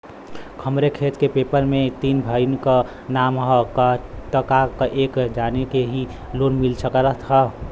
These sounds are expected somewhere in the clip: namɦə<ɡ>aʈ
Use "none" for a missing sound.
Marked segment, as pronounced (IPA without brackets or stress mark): k